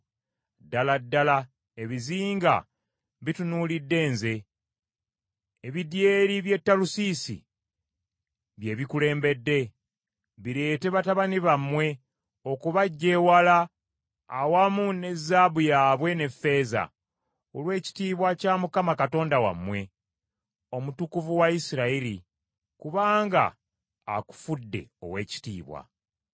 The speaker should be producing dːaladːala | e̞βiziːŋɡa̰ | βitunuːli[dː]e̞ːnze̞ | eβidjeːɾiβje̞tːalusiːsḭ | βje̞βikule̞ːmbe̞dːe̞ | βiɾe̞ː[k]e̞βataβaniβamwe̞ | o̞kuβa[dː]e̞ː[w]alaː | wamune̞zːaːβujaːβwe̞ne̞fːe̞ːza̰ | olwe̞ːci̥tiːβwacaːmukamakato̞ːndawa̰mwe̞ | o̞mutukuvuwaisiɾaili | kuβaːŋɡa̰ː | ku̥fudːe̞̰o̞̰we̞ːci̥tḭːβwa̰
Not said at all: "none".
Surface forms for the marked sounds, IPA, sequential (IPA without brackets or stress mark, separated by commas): dː, t, ɟː, w